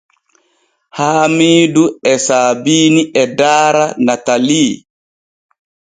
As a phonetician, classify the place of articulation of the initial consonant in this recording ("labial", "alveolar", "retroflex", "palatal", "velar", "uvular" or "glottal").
glottal